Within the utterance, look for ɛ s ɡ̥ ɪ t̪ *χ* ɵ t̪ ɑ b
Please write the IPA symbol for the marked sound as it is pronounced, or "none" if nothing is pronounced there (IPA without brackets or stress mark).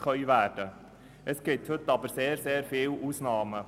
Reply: h